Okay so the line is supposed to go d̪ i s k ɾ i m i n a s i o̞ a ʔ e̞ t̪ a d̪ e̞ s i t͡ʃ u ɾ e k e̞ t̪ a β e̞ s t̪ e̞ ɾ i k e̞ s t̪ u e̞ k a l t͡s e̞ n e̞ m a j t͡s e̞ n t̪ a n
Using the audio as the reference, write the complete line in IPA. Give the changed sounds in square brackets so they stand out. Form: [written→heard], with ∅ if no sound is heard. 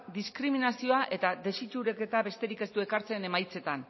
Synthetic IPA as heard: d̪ i s k ɾ i m i n a s i o̞ a ʔ e̞ t̪ a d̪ e̞ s i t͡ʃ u ɾ e k e̞ t̪ a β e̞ s t̪ e̞ ɾ i k e̞ s t̪ u e̞ k a [l→ɾ] t͡s e̞ n e̞ m a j t͡s e̞ [n→∅] t̪ a n